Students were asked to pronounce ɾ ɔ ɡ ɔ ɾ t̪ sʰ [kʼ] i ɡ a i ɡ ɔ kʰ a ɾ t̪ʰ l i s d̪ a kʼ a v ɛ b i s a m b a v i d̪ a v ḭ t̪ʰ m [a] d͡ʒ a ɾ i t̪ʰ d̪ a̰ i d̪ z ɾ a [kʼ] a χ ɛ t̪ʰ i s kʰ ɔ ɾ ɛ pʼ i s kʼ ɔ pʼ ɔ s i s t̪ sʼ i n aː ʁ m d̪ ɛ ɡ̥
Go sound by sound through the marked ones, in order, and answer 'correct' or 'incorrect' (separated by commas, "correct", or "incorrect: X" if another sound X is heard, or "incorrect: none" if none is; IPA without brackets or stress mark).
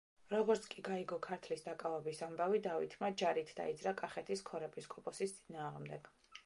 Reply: correct, correct, correct